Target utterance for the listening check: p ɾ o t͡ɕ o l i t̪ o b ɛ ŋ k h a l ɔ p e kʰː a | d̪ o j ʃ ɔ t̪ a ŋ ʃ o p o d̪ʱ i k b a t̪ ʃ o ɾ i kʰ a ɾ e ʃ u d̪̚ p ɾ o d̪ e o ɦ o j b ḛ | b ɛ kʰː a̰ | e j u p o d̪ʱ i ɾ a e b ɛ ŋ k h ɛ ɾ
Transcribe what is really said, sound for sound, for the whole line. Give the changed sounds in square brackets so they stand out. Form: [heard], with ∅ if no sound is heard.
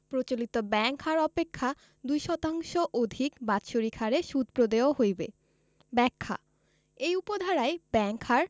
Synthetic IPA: p ɾ o t͡ɕ o l i t̪ o b ɛ ŋ k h a [ɾ] ɔ p e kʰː a | d̪ [u] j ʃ ɔ t̪ a ŋ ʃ o [ʔ] o d̪ʱ i k b a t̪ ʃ o ɾ i kʰ a ɾ e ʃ u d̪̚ p ɾ o d̪ e o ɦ o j b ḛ | b ɛ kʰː a̰ | e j u p o d̪ʱ [a] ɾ a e b ɛ ŋ k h [a] ɾ